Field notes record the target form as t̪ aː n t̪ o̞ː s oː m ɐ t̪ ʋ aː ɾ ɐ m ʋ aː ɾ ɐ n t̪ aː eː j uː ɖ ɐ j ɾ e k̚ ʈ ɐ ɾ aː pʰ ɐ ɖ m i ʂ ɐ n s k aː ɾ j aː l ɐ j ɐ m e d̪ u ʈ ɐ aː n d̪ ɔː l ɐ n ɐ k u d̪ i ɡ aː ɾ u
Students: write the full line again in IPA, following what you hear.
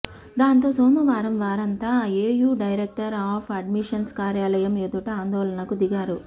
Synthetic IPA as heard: d̪ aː n t̪ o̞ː s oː m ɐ ʋ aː ɾ ɐ m ʋ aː ɾ ɐ n t̪ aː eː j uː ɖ ɐ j ɾ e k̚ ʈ ɐ ɾ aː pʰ ɐ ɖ m i ʂ ɐ n s k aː ɾ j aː l ɐ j ɐ m e d̪ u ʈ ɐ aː n d̪ ɔː l ɐ n ɐ k u d̪ i ɡ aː ɾ u